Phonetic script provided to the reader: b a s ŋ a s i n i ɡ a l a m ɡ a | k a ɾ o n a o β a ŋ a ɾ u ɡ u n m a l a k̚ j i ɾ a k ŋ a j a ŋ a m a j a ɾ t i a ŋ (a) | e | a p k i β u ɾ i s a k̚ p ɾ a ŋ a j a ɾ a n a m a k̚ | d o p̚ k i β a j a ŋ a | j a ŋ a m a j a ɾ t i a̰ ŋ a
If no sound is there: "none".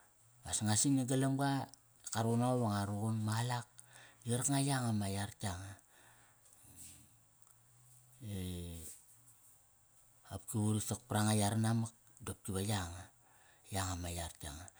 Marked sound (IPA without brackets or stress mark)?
a